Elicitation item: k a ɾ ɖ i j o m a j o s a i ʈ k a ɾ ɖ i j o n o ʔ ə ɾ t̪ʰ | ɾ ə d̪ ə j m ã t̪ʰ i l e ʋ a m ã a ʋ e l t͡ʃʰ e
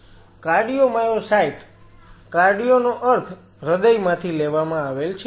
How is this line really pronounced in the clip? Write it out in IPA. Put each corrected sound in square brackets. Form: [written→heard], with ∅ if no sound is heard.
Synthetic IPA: k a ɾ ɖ i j o m a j o s a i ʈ k a ɾ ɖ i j o n o ʔ ə ɾ t̪ʰ | ɾ ə d̪ ə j m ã t̪ʰ i l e ʋ a m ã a ʋ e l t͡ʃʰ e